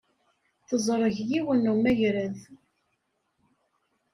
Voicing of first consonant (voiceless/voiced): voiceless